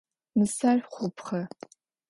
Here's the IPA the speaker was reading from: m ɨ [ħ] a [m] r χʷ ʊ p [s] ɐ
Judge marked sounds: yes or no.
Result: no, no, no

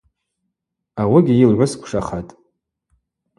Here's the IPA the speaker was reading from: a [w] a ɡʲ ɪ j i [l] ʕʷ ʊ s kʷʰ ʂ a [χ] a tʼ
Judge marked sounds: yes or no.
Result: yes, yes, yes

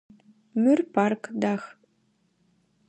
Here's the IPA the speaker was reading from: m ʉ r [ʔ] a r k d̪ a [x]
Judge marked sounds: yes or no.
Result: no, yes

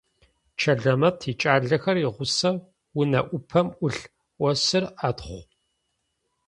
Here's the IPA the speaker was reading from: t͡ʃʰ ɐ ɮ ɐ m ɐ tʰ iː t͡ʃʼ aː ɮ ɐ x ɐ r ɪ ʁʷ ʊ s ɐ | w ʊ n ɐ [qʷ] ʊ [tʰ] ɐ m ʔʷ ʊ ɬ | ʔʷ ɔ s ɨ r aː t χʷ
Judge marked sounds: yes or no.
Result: no, no

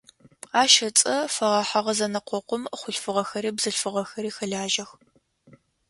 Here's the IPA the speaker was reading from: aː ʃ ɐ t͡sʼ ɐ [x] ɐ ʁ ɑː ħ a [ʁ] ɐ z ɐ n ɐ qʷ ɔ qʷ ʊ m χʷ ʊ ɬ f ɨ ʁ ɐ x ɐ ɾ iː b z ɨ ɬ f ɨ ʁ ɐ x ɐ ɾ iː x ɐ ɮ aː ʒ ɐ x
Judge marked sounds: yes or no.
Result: no, yes

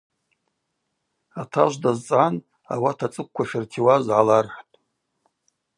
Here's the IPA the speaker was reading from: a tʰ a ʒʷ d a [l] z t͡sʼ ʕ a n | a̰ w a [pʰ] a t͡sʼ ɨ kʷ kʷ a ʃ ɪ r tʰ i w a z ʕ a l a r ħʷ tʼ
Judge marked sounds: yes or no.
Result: no, no

